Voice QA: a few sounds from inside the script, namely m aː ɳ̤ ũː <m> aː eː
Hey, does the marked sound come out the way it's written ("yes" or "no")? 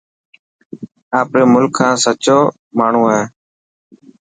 no